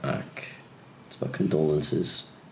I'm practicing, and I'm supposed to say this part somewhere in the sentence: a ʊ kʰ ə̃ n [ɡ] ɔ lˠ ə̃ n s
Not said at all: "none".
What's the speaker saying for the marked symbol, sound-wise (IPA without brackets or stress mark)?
d